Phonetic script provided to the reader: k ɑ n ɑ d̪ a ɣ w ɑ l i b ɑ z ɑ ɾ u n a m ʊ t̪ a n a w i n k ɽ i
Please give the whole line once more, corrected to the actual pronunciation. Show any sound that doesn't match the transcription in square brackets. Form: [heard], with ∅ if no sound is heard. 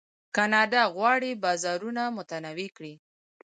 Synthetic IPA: k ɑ n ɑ d̪ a ɣ w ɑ [ɽ] i b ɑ z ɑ ɾ u n a m ʊ t̪ a n a w i [∅] k ɽ i